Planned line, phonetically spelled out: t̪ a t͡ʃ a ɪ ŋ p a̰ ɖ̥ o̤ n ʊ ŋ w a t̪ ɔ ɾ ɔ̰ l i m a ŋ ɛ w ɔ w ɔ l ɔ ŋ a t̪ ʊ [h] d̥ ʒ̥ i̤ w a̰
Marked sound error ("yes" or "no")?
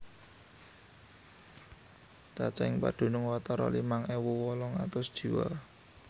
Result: yes